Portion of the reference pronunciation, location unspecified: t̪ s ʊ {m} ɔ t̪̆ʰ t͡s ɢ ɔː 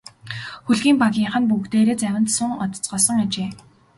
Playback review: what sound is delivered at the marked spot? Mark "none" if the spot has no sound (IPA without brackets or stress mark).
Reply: ŋ